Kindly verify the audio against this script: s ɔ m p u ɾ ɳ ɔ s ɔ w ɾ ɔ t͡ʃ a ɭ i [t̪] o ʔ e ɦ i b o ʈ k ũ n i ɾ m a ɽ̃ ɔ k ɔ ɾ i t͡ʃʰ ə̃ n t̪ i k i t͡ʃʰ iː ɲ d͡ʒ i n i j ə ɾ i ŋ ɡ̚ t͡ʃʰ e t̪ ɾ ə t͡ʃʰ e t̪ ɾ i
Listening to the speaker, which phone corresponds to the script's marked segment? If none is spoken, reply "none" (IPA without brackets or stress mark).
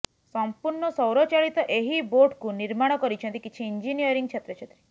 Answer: t̪